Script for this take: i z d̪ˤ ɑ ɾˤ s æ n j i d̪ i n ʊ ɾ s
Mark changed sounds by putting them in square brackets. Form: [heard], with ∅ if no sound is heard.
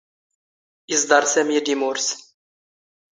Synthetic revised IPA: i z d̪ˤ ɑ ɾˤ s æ [m] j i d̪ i [m] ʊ ɾ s